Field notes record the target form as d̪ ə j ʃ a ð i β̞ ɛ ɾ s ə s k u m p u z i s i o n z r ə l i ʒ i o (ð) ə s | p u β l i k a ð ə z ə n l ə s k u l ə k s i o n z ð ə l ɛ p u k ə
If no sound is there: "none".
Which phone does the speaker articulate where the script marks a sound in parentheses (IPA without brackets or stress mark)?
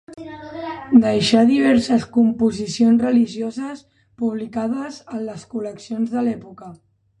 z